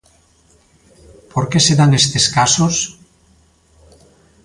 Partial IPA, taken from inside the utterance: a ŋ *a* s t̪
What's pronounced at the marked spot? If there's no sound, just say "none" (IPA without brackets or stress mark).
e